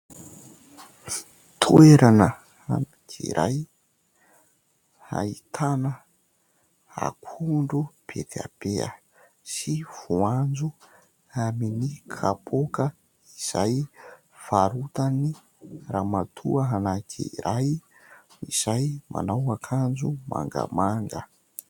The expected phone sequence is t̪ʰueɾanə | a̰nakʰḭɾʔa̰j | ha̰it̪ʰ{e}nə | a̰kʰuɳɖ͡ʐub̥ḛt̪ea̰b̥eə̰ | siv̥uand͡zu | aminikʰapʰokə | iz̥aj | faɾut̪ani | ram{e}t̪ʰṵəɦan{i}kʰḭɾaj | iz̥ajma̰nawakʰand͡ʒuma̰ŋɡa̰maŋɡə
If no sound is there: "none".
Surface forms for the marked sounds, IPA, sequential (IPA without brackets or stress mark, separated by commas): a, a, a